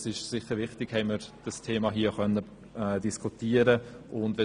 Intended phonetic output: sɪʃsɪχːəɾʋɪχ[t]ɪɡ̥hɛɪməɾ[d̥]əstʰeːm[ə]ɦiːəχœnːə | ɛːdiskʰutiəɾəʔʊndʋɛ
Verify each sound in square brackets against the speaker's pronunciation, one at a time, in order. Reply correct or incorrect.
correct, correct, incorrect

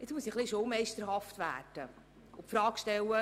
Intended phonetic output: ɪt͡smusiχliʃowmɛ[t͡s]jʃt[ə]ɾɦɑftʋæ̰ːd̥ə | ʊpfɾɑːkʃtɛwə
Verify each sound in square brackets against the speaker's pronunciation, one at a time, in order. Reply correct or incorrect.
incorrect, correct

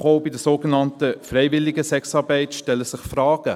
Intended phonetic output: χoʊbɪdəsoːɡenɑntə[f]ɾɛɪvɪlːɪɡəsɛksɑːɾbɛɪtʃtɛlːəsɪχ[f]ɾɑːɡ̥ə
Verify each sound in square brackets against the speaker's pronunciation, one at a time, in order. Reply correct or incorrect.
correct, correct

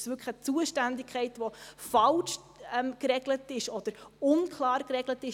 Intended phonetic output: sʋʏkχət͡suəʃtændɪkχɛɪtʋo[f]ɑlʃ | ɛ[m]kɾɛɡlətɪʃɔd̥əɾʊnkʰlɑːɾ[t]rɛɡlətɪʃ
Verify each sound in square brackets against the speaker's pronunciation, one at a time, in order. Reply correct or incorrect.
correct, correct, incorrect

